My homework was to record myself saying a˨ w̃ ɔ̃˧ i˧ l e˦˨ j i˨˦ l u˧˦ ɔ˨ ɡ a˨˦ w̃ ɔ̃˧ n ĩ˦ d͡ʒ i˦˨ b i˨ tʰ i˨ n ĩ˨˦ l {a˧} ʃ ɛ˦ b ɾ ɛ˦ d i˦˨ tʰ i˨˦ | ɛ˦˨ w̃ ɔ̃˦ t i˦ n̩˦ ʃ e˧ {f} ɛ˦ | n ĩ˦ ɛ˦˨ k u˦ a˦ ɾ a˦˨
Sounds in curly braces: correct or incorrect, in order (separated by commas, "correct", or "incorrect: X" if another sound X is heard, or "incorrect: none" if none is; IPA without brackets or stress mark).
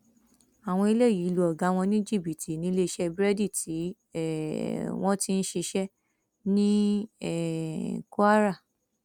incorrect: e˧, incorrect: ʃ